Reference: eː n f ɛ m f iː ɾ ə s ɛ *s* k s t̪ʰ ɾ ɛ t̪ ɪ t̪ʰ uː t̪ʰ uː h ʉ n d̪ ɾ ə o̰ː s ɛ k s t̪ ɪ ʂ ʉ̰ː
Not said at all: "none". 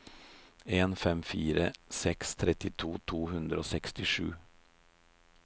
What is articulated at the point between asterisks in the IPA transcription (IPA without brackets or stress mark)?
none